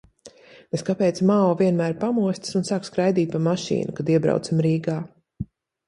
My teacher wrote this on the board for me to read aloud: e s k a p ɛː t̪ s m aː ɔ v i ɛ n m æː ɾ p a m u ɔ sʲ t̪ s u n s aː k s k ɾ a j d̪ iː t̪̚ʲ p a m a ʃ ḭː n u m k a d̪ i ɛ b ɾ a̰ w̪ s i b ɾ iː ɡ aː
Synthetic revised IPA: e s k a p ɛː t̪ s m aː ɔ v i ɛ n m æː ɾ p a m u ɔ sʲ t̪ s u n s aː k s k ɾ a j d̪ iː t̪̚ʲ p a m a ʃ ḭː n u k a d̪ i ɛ b ɾ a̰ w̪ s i m ɾ iː ɡ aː